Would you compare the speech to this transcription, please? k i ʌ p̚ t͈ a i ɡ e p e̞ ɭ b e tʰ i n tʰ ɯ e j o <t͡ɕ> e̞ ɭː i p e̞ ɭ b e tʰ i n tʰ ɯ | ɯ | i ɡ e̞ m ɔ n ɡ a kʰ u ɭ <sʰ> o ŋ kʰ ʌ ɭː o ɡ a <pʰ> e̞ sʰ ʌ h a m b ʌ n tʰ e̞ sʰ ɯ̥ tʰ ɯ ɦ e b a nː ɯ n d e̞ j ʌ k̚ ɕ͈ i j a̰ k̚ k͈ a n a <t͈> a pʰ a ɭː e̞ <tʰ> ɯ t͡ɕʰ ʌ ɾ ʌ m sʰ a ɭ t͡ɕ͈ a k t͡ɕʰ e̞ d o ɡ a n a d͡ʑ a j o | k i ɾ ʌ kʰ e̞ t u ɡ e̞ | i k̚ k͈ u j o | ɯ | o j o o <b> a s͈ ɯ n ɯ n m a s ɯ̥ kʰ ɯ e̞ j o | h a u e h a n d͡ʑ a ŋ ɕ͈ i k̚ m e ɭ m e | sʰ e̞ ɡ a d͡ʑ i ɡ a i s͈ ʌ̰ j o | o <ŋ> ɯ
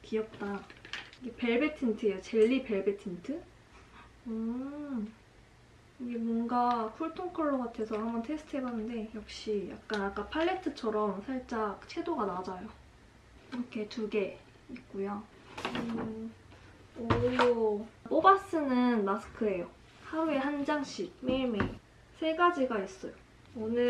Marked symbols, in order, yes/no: yes, no, no, no, yes, yes, no

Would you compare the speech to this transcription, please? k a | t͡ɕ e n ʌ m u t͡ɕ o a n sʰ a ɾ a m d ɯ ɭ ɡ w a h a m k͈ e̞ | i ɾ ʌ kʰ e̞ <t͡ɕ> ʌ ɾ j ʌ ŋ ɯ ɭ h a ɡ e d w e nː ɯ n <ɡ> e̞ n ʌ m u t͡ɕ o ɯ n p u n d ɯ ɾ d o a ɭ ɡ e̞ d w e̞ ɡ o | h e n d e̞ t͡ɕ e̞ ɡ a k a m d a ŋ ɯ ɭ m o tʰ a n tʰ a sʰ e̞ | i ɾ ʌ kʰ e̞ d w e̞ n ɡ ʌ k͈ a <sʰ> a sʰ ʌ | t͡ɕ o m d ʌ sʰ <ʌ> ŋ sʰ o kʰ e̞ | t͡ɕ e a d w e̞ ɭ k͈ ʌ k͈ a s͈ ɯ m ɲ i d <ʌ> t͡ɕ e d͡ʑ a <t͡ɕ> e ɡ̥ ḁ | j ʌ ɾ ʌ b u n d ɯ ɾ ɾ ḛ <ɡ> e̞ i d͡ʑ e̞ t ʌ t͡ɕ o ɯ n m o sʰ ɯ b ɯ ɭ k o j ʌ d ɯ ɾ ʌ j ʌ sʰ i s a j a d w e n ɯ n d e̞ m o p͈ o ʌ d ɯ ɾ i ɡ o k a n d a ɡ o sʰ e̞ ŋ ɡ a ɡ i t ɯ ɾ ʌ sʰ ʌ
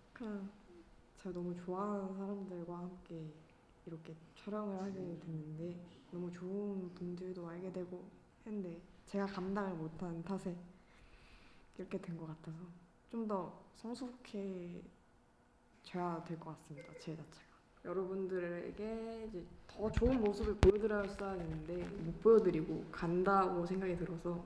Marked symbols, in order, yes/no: no, no, no, yes, no, no, yes

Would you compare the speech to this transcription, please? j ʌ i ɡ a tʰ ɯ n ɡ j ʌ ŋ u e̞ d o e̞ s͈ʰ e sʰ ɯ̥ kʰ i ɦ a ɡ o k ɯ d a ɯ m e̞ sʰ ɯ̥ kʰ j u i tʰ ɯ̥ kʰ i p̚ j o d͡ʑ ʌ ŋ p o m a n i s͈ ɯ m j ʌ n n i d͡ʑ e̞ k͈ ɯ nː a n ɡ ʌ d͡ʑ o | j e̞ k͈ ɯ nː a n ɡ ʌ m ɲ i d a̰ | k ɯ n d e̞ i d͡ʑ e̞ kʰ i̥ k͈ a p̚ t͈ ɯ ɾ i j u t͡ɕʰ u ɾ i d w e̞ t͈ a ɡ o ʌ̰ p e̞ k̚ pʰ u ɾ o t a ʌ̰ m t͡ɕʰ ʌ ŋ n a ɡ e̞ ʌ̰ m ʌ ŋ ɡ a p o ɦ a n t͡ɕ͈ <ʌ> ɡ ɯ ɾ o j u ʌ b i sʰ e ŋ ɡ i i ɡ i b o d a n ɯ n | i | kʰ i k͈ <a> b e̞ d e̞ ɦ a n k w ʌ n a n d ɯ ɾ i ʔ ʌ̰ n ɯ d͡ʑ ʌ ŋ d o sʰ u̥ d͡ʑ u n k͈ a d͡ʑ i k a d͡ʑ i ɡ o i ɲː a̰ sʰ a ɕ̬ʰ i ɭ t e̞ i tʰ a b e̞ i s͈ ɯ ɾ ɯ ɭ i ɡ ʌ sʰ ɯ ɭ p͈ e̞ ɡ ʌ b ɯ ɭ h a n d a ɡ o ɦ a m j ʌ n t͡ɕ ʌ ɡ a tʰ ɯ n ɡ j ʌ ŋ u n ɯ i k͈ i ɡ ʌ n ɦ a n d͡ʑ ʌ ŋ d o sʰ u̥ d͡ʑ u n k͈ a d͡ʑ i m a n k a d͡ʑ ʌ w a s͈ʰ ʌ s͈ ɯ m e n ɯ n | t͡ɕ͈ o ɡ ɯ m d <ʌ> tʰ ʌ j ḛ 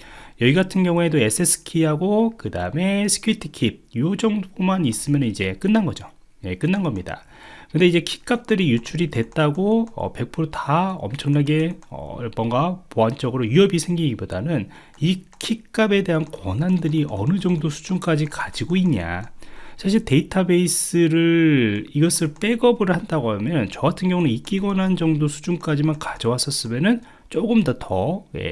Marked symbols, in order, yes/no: yes, yes, yes

